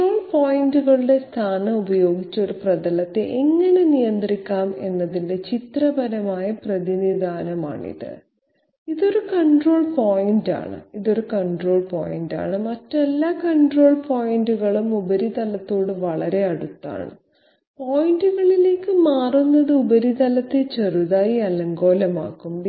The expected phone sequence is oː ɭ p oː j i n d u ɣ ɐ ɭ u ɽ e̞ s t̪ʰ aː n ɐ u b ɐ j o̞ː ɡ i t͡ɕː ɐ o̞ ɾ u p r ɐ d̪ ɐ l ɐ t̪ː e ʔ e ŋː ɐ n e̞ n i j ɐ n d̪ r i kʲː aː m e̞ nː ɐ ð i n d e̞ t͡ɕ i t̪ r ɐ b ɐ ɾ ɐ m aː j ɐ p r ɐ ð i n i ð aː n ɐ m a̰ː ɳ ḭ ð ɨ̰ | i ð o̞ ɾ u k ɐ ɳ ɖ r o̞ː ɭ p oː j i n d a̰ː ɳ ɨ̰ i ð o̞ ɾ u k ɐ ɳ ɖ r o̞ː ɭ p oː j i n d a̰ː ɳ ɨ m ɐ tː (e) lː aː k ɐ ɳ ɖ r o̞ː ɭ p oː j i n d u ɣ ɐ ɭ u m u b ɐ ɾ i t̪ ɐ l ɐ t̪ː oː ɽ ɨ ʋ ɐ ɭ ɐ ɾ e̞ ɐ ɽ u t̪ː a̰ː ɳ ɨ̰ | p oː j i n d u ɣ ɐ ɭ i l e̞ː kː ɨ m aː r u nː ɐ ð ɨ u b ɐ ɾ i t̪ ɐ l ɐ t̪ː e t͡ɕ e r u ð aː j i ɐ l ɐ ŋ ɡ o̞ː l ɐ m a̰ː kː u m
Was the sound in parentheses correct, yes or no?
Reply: yes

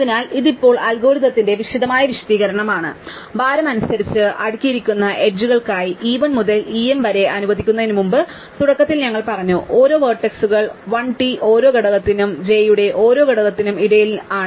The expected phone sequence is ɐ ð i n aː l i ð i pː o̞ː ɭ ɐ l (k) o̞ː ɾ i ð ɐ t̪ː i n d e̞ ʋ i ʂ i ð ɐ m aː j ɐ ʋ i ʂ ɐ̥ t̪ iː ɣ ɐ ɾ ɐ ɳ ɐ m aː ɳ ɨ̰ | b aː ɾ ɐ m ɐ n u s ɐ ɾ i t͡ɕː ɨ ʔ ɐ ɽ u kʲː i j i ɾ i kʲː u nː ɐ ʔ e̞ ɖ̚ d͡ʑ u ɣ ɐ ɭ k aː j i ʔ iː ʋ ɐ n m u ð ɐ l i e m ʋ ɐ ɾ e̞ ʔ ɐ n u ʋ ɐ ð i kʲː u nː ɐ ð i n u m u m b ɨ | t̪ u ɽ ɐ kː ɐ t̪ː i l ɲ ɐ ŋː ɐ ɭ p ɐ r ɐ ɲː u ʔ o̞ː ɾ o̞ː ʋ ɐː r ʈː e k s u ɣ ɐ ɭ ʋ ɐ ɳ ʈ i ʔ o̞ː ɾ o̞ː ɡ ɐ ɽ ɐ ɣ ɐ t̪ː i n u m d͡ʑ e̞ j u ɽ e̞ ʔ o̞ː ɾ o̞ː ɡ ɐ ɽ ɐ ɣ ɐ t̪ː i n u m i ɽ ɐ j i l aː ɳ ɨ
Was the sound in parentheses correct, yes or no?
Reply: no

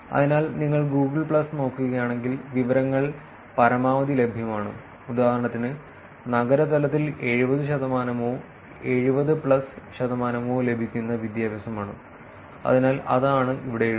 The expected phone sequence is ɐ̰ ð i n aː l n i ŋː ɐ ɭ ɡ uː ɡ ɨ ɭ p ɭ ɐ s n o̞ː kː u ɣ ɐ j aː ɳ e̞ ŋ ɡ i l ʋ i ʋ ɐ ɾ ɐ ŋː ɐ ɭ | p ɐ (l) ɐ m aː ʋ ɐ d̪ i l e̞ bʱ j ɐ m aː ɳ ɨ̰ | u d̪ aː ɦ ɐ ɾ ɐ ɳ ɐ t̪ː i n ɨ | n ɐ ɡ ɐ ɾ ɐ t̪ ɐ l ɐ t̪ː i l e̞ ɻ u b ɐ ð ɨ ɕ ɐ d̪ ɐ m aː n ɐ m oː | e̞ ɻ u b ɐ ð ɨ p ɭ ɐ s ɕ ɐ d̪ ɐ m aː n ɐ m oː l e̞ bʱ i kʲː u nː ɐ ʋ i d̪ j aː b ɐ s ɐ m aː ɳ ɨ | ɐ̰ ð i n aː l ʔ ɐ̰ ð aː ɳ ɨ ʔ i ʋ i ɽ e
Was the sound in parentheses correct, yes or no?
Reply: no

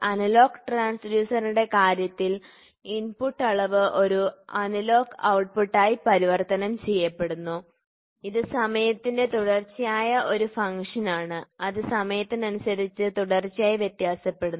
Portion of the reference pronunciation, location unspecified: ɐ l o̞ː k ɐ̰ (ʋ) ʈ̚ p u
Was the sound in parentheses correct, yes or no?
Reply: no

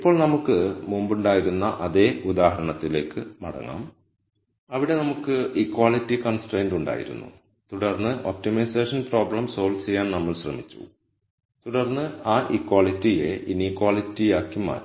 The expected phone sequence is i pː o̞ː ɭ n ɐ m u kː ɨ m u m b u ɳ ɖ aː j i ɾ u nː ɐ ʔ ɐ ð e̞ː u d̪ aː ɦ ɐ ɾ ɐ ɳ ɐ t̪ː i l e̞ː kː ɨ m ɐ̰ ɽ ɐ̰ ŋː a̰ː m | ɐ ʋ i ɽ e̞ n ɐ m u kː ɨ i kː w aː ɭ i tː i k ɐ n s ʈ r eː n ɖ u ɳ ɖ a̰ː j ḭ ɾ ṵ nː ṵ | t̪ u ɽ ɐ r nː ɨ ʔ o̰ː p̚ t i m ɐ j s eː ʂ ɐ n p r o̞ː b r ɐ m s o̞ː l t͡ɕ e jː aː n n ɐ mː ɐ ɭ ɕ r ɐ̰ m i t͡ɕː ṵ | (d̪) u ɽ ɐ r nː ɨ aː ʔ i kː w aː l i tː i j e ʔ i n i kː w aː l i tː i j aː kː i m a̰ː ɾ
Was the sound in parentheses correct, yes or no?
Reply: no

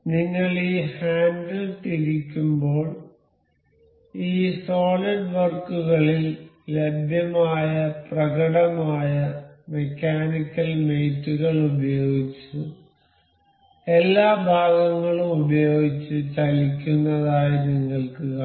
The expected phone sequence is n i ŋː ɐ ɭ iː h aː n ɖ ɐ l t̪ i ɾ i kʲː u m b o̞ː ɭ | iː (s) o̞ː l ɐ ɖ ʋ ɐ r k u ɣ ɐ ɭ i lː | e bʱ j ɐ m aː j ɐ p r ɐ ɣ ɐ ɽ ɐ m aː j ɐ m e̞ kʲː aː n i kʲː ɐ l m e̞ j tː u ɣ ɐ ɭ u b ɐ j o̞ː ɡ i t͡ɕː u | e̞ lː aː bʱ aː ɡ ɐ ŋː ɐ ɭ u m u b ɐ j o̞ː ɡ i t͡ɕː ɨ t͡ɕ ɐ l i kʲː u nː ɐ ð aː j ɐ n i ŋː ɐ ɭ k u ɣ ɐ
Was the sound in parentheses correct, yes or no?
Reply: yes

